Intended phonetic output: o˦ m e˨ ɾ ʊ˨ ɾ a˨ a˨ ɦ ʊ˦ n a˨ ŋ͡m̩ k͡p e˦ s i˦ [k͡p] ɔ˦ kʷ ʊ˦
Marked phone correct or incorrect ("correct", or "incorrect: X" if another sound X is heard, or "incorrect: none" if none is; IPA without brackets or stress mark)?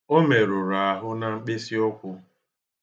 incorrect: none